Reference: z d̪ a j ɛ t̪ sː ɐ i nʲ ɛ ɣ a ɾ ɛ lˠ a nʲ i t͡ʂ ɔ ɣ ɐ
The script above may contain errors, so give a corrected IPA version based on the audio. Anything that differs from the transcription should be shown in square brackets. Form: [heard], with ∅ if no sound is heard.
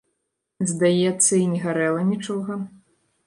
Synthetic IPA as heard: z d̪ a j ɛ t̪ sː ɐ i nʲ ɛ ɣ a ɾ ɛ lˠ [ɐ] nʲ i t͡ʂ ɔ ɣ ɐ